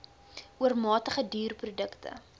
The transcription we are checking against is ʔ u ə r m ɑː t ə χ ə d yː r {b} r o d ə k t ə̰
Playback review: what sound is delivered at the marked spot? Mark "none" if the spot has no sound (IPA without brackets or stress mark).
p